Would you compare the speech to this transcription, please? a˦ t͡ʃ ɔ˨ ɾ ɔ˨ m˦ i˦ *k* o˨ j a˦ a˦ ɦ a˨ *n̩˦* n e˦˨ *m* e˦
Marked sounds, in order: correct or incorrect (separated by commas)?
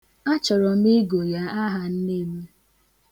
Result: incorrect, correct, correct